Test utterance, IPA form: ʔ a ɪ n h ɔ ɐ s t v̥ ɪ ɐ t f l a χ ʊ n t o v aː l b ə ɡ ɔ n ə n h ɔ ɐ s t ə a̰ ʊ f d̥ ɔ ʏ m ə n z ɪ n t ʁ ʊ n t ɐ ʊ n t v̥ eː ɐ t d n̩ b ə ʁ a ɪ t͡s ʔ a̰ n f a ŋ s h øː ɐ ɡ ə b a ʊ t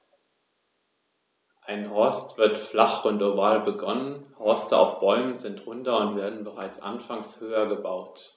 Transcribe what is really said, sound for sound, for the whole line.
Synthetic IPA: ʔ a ɪ n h ɔ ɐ s t v̥ ɪ ɐ t f l a χ ʊ n t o v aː l b ə ɡ ɔ n ə n h ɔ ɐ s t ə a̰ ʊ f b̥ ɔ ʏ m ə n z ɪ n t ʁ ʊ n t ɐ ʊ n t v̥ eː ɐ d n̩ b ə ʁ a ɪ t͡s ʔ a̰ n f a ŋ s h øː ɐ ɡ ə b a ʊ t